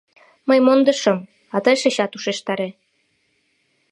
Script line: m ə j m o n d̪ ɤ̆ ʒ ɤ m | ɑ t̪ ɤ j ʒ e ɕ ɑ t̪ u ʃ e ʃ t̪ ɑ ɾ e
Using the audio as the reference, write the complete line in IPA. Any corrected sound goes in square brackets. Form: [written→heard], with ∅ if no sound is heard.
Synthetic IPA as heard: m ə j m o n d̪ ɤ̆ [ʒ→ʃ] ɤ m | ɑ t̪ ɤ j [ʒ→ʃ] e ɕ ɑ t̪ u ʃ e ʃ t̪ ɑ ɾ e